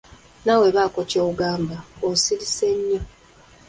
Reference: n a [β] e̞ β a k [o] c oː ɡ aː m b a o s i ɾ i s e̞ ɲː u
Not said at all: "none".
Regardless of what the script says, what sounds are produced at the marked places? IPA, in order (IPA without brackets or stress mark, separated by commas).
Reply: w, o